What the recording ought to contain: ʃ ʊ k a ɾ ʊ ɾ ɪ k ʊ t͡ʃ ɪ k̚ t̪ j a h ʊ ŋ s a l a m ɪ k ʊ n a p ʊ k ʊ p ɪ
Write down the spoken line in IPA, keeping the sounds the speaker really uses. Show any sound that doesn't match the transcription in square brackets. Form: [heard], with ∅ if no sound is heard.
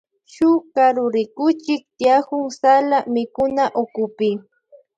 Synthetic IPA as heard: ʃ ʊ k a ɾ ʊ ɾ ɪ k ʊ t͡ʃ ɪ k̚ t̪ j a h ʊ ŋ s a l a m ɪ k ʊ n a [ʔ] ʊ k ʊ p ɪ